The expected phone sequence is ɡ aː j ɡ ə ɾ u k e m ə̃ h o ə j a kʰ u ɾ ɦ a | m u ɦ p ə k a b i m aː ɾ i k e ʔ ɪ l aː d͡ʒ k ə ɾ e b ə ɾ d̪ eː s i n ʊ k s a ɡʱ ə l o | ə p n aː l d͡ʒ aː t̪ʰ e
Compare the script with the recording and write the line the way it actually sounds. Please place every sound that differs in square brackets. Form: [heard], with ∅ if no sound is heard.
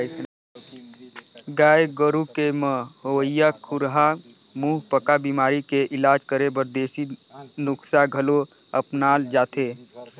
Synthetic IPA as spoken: ɡ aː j ɡ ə ɾ u k e m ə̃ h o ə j a kʰ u ɾ ɦ a | m u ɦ p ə k a b i m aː ɾ i k e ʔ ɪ l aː d͡ʒ k ə ɾ e b ə ɾ d̪ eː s i n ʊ k s a ɡʱ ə l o | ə p n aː l d͡ʒ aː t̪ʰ e